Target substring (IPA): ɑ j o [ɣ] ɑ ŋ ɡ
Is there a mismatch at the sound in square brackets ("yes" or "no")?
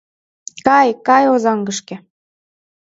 yes